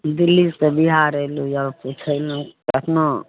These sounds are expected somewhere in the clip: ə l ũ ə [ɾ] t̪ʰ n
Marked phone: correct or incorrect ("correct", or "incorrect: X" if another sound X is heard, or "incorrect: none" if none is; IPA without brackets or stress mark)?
incorrect: none